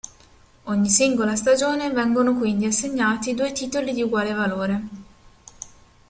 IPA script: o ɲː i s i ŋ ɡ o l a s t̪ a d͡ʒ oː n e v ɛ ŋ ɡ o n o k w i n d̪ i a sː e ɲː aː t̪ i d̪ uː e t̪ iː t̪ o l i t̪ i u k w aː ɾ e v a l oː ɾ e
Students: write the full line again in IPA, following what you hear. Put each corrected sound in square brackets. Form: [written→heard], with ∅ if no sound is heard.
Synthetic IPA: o ɲː i s i ŋ ɡ o l a s t̪ a d͡ʒ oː n e v ɛ ŋ ɡ o n o k w i n d̪ i a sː e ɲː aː t̪ i d̪ uː e t̪ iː t̪ o l i [t̪→d̪] i u [k→ɡ] w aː [ɾ→l] e v a l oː ɾ e